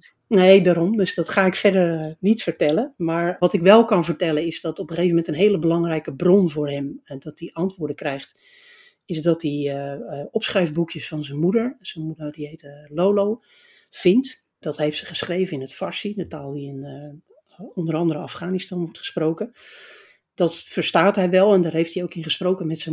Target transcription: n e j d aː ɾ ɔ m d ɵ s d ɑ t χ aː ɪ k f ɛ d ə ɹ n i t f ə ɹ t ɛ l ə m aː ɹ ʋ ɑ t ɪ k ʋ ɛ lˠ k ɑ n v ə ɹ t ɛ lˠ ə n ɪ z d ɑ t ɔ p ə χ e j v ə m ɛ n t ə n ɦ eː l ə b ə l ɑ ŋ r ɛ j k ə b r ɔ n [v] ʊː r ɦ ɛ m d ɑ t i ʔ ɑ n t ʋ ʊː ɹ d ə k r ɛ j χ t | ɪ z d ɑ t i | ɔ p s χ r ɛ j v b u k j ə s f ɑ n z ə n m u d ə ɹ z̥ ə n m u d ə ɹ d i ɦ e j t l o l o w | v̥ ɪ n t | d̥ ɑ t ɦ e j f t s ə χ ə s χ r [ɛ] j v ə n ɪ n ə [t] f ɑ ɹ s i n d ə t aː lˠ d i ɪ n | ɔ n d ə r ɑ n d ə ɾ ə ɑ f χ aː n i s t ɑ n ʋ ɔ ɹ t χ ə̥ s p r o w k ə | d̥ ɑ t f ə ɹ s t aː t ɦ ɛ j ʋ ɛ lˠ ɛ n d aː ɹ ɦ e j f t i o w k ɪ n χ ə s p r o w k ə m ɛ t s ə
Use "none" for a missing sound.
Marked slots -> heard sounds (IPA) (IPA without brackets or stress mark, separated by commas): v, e, t